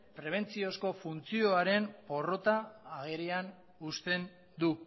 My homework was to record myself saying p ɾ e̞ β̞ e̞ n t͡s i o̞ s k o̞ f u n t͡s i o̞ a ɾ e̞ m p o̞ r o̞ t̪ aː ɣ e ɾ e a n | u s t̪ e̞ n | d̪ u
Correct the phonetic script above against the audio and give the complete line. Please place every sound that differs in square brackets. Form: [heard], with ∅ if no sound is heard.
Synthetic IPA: p ɾ e̞ β̞ e̞ n t͡s i o̞ s k o̞ f u n t͡s i o̞ a ɾ e̞ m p o̞ r o̞ t̪ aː ɣ e ɾ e a n | u s t̪ e̞ n | d̪ u